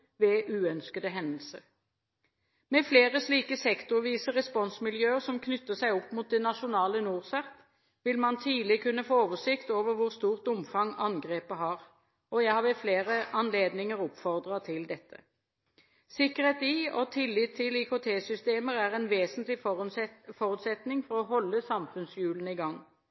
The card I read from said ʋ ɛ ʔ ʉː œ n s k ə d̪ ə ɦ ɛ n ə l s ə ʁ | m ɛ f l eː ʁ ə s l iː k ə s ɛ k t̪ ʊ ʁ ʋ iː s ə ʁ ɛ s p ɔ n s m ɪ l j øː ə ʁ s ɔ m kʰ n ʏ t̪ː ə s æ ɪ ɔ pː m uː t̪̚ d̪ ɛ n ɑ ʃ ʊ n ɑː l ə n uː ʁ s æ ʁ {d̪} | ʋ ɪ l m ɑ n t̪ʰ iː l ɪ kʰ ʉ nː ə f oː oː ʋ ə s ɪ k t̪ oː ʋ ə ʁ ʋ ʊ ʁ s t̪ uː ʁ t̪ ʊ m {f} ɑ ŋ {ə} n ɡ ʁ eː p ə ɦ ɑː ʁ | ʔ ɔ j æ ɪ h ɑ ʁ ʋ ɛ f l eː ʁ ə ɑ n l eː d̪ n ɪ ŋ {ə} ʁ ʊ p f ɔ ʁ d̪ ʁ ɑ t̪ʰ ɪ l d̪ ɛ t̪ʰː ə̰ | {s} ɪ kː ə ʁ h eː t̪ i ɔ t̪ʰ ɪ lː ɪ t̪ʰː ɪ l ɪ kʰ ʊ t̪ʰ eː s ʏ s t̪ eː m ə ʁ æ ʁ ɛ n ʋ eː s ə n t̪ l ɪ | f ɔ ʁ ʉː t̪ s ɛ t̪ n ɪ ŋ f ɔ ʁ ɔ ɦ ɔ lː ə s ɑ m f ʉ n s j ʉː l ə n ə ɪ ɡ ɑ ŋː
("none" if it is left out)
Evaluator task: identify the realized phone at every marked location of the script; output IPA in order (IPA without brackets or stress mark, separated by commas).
t̪, f, ɑ, ə, s